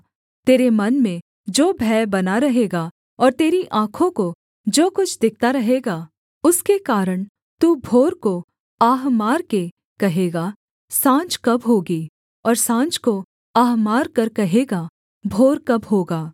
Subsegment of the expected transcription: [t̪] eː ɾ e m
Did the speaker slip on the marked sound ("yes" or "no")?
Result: no